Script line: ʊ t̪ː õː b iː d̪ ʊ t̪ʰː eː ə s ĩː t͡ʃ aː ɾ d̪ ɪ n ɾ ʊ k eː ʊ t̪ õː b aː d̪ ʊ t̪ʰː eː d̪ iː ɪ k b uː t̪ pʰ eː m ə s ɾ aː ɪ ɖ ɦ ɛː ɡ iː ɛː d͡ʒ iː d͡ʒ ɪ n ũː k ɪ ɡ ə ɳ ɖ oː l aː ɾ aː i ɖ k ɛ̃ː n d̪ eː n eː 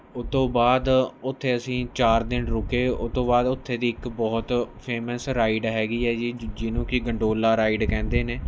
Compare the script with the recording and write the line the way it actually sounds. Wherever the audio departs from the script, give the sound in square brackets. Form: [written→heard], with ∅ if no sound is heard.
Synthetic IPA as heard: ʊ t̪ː õː b [iː→aː] d̪ ʊ t̪ʰː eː ə s ĩː t͡ʃ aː ɾ d̪ ɪ n ɾ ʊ k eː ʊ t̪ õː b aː d̪ ʊ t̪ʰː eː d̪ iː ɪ k b [uː→ɔː] t̪ pʰ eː m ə s ɾ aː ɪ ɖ ɦ ɛː ɡ iː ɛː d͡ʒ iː d͡ʒ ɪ n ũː k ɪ ɡ ə ɳ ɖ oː l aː ɾ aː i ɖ k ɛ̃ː n d̪ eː n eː